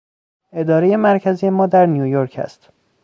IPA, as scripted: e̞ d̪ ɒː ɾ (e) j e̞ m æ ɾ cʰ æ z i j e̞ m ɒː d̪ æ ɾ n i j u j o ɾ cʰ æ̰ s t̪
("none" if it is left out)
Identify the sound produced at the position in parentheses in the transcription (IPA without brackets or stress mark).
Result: e